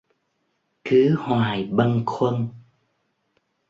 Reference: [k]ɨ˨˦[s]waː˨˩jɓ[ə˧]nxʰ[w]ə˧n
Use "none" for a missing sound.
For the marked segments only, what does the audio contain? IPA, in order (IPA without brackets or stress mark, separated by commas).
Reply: k, h, ə˧, w